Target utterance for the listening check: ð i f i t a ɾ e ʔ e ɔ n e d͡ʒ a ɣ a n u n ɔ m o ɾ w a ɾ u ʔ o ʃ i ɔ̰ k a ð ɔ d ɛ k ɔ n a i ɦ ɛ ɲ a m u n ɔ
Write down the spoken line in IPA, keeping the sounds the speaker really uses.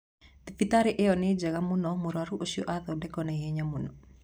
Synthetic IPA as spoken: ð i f i t a ɾ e ʔ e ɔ n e d͡ʒ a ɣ a m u n ɔ m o ɾ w a ɾ u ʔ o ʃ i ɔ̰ ʔ a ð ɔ d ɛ k ɔ n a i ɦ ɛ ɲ a m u n ɔ